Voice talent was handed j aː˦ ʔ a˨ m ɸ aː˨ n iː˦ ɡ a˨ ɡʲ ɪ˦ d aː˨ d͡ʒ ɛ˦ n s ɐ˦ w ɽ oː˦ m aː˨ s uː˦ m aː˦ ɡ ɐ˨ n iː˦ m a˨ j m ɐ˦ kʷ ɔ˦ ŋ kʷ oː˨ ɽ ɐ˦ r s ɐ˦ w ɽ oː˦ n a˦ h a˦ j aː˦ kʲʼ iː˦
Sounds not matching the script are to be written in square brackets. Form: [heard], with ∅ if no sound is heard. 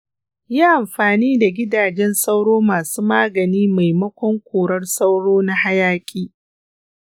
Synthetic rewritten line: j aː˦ ʔ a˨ m ɸ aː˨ n iː˦ [d] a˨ ɡʲ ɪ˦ d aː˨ d͡ʒ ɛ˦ n s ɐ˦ w ɽ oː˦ m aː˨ s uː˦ m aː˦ ɡ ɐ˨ n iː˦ m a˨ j m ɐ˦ kʷ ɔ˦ ŋ kʷ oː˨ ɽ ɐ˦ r s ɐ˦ w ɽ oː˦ n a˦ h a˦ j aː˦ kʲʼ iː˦